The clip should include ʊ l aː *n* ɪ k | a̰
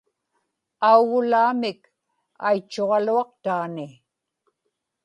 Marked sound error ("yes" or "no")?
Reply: yes